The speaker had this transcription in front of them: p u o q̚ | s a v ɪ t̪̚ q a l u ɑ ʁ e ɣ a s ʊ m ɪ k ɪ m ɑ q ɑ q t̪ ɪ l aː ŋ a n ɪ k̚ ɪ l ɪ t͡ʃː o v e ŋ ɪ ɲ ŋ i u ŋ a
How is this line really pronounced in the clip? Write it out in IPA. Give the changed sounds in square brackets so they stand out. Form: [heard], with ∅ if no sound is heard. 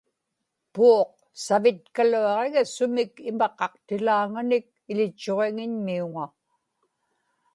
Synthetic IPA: p u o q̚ | s a v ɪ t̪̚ [k] a l u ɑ ʁ e ɣ a s ʊ m ɪ k ɪ m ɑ q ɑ q t̪ ɪ l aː ŋ a n ɪ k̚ ɪ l ɪ t͡ʃː o [ʁ] e ŋ ɪ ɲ [m] i u ŋ a